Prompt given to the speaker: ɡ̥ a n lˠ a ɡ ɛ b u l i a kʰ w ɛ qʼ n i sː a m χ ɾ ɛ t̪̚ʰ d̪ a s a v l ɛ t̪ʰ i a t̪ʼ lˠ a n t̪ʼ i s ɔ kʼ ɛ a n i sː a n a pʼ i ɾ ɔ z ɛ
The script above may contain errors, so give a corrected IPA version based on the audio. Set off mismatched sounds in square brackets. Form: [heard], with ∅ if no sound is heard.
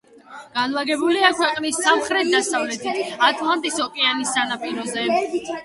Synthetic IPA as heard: ɡ̥ a n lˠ a ɡ ɛ b u l i a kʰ w ɛ qʼ n i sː a m χ ɾ ɛ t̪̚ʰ d̪ a s a v l ɛ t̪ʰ i a t̪ʼ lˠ a n t̪ʼ i s ɔ kʼ ɛ a n i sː a n a pʼ i ɾ ɔ z ɛ

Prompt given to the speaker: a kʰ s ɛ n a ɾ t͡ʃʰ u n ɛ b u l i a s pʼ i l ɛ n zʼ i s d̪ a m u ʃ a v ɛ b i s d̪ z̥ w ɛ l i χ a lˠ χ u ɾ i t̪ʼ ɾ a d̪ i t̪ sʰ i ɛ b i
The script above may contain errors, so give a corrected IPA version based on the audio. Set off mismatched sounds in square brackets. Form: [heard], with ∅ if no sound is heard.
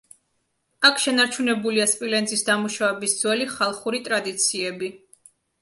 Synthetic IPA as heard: a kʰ [ʃ] ɛ n a ɾ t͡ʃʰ u n ɛ b u l i a s pʼ i l ɛ n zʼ i s d̪ a m u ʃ a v ɛ b i s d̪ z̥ w ɛ l i χ a lˠ χ u ɾ i t̪ʼ ɾ a d̪ i t̪ sʰ i ɛ b i

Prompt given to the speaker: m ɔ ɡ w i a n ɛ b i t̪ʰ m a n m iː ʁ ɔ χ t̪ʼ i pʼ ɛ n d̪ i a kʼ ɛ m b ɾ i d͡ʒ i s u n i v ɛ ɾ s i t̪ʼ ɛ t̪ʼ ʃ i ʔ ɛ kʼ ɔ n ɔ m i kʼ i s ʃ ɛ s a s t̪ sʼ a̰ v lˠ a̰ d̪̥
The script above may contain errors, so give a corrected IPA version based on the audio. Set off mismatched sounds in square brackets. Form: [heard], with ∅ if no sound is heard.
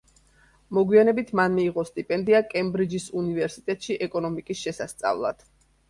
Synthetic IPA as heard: m ɔ ɡ w i a n ɛ b i t̪ʰ m a n m iː ʁ ɔ [s] t̪ʼ i pʼ ɛ n d̪ i a kʼ ɛ m b ɾ i d͡ʒ i s u n i v ɛ ɾ s i t̪ʼ ɛ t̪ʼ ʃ i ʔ ɛ kʼ ɔ n ɔ m i kʼ i s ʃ ɛ s a s t̪ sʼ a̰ v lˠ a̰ d̪̥

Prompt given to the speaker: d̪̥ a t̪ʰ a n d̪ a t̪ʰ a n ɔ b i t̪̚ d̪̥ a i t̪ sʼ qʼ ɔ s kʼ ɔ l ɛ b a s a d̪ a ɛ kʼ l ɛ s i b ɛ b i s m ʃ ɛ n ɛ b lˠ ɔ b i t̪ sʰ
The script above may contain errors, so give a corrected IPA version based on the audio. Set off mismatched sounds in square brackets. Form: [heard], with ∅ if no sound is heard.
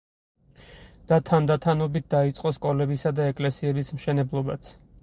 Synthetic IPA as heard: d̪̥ a t̪ʰ a n d̪ a t̪ʰ a n ɔ b i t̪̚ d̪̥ a i t̪ sʼ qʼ ɔ s kʼ ɔ l ɛ b [i] s a d̪ a ɛ kʼ l ɛ s i [∅] ɛ b i s m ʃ ɛ n ɛ b lˠ ɔ b [a] t̪ sʰ

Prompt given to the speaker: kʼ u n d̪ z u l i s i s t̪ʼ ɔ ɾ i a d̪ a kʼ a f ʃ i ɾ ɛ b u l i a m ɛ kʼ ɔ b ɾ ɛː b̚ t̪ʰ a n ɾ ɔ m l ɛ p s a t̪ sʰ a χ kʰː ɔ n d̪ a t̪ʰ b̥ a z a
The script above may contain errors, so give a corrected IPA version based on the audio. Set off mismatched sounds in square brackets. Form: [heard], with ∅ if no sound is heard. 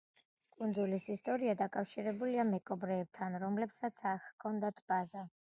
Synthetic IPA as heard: kʼ u n d̪ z u l i s i s t̪ʼ ɔ ɾ i a d̪ a kʼ a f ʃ i ɾ ɛ b u l i a m ɛ kʼ ɔ b ɾ ɛː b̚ t̪ʰ a n ɾ ɔ m l ɛ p s a t̪ sʰ a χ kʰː ɔ n d̪ a t̪ʰ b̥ a z a

